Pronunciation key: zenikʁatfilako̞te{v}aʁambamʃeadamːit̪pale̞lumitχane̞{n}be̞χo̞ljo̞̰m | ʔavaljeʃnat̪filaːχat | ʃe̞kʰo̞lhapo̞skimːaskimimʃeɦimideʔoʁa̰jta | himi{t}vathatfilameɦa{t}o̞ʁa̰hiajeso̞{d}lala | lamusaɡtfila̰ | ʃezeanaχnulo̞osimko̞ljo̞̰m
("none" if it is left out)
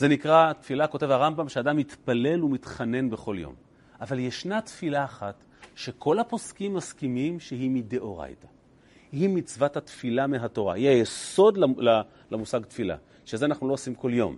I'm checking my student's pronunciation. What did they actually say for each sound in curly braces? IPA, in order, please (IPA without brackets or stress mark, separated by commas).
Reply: v, n, t͡s, t, d